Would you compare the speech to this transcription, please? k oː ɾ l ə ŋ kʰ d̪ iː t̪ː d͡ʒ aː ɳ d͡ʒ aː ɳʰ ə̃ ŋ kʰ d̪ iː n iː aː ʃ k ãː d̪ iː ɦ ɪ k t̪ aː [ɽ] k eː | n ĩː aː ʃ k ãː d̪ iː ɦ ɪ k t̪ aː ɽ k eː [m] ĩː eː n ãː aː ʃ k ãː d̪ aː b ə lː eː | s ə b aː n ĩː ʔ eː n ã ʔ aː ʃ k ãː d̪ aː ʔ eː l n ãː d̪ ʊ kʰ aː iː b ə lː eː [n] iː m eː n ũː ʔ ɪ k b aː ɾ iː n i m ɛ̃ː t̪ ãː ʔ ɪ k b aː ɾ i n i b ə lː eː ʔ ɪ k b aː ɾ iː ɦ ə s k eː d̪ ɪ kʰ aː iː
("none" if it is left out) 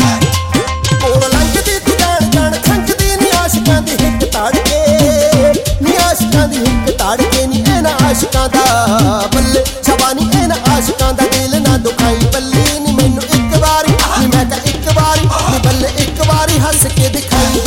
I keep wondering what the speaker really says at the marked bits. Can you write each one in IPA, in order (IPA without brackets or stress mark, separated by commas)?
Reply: ɽ, n, n